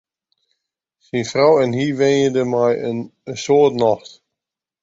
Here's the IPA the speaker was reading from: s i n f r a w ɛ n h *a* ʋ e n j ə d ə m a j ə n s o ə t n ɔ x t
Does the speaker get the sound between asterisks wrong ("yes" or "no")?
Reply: yes